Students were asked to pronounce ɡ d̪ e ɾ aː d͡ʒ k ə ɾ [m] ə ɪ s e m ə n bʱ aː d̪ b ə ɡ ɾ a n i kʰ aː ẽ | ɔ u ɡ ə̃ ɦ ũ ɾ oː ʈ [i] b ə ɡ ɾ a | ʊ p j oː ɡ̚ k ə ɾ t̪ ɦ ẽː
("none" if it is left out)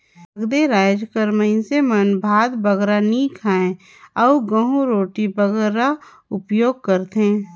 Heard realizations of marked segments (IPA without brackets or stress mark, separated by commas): m, i